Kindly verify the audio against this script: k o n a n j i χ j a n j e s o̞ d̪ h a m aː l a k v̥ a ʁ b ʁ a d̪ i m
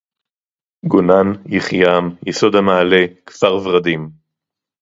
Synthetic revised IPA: ɡ o n a n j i χ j a m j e s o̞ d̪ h a m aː l e k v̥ a ʁ v ʁ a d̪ i m

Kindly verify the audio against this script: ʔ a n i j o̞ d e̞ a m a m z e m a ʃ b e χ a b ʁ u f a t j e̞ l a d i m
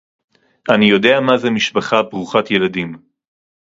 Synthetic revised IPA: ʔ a n i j o̞ d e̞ a m a z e m i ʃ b a χ a b ʁ u χ a t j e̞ l a d i m

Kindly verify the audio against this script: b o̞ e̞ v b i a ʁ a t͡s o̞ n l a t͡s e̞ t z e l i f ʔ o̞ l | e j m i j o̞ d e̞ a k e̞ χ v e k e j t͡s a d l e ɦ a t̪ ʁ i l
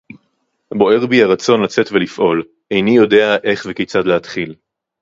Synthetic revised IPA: b o̞ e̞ ʁ b i a ʁ a t͡s o̞ n l a t͡s e̞ t v e l i f ʔ o̞ l | e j n i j o̞ d e̞ a ʔ e̞ χ v e k e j t͡s a d l e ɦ a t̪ χ i l

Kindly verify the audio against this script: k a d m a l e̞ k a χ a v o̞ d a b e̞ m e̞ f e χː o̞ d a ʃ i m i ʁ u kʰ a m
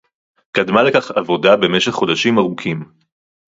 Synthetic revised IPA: k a d m a l e̞ k a χ a v o̞ d a b e̞ m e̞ ʃ e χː o̞ d a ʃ i m a ʁ u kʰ i m

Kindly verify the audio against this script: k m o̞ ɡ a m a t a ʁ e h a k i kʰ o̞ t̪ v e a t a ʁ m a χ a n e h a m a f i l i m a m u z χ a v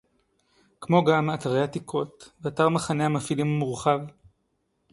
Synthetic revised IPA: k m o̞ ɡ a m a t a ʁ e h a t i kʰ o̞ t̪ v e a t a ʁ m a χ a n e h a m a f i l i m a m u ʁ χ a v

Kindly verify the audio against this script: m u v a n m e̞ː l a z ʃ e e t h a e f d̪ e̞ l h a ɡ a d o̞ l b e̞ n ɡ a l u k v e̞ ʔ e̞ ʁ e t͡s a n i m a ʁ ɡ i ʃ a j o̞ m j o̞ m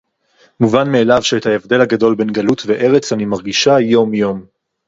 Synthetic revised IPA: m u v a n m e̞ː l a v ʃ e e t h a e v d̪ e̞ l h a ɡ a d o̞ l b e̞ n ɡ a l u t v e̞ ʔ e̞ ʁ e t͡s a n i m a ʁ ɡ i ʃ a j o̞ m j o̞ m

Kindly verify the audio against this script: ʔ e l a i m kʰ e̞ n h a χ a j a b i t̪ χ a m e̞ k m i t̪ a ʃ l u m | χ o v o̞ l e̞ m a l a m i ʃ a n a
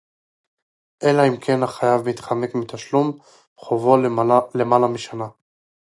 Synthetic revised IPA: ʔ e l a i m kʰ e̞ n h a χ a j a v i t̪ χ a m e̞ k m i t̪ a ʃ l u m | χ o v o̞ l e̞ m a l a m i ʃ a n a

